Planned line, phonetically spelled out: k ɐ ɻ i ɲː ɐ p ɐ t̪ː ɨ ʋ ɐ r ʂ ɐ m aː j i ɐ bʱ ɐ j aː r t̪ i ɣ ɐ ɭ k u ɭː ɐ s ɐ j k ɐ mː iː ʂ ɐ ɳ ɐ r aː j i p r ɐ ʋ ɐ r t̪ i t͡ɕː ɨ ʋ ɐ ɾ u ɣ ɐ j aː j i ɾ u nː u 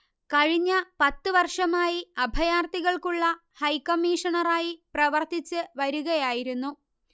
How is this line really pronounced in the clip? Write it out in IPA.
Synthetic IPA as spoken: k ɐ ɻ i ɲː ɐ p ɐ t̪ː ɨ ʋ ɐ r ʂ ɐ m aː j i ɐ bʱ ɐ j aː r t̪ i ɣ ɐ ɭ k u ɭː ɐ h ɐ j k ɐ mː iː ʂ ɐ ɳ ɐ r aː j i p r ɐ ʋ ɐ r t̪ i t͡ɕː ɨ ʋ ɐ ɾ u ɣ ɐ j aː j i ɾ u nː u